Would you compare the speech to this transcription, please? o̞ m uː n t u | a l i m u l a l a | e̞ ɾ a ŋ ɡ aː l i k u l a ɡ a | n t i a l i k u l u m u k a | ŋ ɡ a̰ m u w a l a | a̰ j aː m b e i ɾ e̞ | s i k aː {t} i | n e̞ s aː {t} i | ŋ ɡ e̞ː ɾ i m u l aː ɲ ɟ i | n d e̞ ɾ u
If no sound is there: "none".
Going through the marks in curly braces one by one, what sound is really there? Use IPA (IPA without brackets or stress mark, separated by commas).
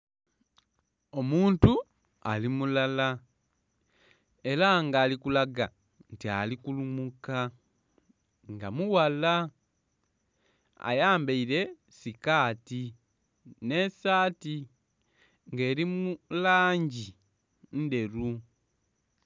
t, t